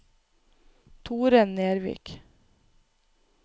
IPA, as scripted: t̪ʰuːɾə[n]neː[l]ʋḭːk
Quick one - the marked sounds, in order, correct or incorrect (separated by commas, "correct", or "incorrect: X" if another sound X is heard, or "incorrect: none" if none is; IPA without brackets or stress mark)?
correct, incorrect: ɾ